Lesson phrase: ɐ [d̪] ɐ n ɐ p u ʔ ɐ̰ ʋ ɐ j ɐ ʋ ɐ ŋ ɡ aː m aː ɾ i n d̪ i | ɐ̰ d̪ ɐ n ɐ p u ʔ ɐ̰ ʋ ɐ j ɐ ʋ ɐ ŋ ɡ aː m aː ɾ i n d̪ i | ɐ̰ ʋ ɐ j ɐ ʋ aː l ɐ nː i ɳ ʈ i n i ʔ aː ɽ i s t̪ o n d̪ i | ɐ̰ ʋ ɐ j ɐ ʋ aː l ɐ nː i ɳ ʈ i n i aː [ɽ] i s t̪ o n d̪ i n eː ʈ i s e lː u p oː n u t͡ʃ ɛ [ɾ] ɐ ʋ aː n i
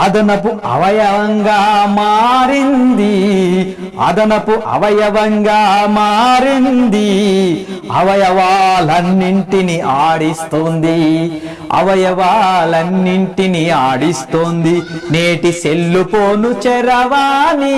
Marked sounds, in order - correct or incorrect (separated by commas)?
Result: correct, correct, correct